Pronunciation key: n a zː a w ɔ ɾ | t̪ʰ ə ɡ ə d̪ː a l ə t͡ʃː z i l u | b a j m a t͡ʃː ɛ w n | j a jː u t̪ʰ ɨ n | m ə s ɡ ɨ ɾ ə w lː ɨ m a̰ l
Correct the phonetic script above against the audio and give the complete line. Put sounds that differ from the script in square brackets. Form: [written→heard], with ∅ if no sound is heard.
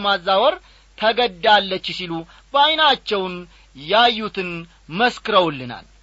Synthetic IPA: [n→m] a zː a w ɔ ɾ | t̪ʰ ə ɡ ə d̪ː a [l→lː] ə t͡ʃː [z→s] i l u | b a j [m→n] a t͡ʃː ɛ w n | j a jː u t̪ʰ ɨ n | m ə s [ɡ→k] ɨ ɾ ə w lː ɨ [m→n] a̰ l